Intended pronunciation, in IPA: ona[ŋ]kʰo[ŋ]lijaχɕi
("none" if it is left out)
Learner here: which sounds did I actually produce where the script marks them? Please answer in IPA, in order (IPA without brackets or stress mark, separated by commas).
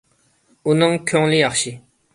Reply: ŋ, ŋ